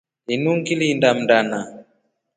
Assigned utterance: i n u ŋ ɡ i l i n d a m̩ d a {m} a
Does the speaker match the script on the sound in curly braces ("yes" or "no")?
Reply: no